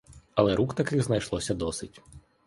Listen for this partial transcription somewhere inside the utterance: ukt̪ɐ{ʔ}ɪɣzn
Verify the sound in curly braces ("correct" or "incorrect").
incorrect